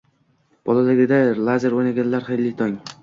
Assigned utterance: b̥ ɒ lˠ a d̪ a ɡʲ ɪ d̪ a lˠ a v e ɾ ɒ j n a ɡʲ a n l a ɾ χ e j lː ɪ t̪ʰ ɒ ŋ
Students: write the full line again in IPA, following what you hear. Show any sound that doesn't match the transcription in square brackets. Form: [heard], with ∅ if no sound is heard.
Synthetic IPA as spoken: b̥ ɒ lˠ a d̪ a ɡʲ ɪ d̪ a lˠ a [z] e ɾ [o] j n a ɡʲ a n l a ɾ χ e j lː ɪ t̪ʰ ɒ ŋ